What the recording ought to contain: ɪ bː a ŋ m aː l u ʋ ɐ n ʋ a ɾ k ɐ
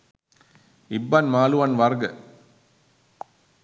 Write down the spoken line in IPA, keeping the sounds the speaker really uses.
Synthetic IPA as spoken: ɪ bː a n m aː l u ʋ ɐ n ʋ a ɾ ɡ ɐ